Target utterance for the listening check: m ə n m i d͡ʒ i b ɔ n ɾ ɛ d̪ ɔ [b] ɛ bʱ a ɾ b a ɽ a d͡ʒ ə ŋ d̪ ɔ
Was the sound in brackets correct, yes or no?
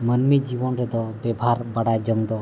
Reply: yes